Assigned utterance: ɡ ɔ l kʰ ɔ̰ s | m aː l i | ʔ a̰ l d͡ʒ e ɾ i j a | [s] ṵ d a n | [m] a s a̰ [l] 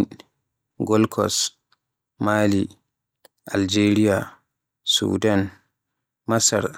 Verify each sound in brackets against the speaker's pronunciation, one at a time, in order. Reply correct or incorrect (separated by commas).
correct, correct, incorrect